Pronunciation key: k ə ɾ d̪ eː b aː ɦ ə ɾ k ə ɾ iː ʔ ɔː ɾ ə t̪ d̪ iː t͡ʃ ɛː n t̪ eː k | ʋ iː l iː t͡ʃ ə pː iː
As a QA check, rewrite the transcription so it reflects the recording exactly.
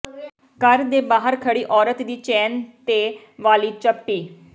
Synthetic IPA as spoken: k ə ɾ d̪ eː b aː ɦ ə ɾ kʰ ə ɽ iː ʔ ɔː ɾ ə t̪ d̪ iː t͡ʃ ɛː n t̪ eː | ʋ aː l iː t͡ʃ ə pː iː